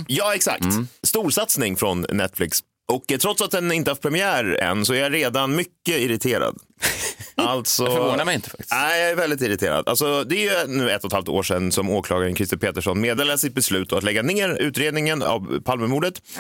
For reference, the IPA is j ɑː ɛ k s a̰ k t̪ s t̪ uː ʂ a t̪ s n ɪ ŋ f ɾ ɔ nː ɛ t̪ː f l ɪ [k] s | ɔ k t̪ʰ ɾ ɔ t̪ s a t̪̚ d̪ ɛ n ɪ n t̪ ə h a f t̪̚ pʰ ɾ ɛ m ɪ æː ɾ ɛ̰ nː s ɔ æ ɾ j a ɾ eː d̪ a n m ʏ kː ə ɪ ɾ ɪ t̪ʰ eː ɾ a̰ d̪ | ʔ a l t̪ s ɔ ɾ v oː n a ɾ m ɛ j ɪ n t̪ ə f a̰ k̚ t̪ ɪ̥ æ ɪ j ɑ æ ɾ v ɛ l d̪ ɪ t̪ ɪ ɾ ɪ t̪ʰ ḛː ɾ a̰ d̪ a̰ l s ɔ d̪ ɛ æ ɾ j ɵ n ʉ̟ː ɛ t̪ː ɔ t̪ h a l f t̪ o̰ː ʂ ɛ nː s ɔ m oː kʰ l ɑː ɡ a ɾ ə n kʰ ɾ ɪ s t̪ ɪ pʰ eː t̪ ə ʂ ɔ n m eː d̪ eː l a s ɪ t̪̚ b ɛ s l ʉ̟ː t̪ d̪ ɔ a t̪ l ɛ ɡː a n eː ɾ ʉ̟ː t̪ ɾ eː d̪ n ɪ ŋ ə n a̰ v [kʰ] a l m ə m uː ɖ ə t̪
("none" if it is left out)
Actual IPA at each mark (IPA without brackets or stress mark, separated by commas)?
k, pʰ